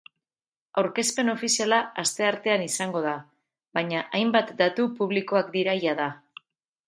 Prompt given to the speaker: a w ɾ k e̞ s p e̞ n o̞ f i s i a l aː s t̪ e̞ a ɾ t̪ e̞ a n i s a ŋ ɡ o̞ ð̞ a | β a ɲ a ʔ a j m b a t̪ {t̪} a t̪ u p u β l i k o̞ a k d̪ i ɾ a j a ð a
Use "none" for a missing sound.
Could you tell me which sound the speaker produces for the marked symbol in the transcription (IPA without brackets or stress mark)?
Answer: d̪